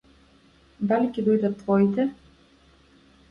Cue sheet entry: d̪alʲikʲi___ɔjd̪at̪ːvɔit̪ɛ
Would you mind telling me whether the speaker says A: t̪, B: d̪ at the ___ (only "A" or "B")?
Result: B